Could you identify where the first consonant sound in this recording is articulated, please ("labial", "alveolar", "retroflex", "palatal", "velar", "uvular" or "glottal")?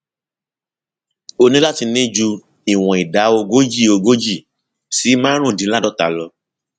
alveolar